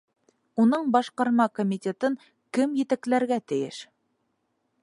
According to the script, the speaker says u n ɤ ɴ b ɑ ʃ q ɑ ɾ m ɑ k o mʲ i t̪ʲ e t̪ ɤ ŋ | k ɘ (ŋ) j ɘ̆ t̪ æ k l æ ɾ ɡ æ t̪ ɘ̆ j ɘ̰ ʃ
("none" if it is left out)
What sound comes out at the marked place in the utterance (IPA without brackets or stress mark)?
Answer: m